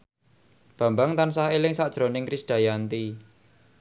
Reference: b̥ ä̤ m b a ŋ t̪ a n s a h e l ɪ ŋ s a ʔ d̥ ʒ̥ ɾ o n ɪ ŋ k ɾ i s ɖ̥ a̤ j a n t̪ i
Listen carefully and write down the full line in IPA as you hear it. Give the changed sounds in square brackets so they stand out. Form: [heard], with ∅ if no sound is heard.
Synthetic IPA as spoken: b̥ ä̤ m b a ŋ t̪ a n s a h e l ɪ ŋ s a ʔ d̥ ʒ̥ ɾ o n ɪ ŋ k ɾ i s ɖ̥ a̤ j a n t̪ i